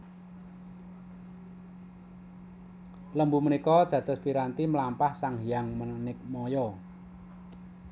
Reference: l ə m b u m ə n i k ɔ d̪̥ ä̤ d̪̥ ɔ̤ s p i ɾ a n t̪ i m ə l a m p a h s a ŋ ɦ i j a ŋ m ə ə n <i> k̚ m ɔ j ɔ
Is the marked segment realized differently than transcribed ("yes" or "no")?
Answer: yes